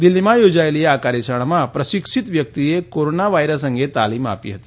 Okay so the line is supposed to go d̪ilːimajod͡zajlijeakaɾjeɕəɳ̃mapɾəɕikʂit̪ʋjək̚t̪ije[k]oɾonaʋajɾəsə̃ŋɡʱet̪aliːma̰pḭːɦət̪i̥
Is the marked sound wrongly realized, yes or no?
no